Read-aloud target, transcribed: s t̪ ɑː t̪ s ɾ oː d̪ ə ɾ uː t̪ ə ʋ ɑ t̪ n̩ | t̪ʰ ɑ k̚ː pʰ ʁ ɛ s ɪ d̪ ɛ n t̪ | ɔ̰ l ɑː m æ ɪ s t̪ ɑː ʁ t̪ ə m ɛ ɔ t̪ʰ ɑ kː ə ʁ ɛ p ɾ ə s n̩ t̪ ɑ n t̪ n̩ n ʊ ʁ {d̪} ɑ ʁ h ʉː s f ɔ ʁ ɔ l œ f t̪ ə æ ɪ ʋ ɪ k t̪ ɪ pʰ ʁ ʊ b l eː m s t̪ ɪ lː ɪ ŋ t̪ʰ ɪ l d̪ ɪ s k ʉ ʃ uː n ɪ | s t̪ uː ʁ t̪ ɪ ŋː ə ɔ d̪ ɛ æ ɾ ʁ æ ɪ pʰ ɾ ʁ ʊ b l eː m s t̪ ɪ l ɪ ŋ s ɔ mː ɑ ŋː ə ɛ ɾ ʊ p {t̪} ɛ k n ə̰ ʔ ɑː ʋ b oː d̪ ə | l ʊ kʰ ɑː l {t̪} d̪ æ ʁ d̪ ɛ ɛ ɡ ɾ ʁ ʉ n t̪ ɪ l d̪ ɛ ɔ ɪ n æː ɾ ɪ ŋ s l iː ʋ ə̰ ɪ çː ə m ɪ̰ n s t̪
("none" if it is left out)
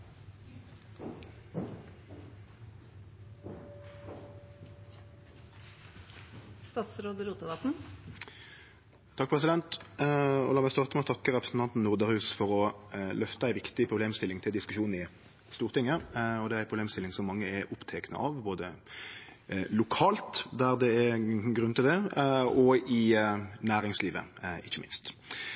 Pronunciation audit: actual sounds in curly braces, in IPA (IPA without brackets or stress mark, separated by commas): d̪, t̪ʰ, t̪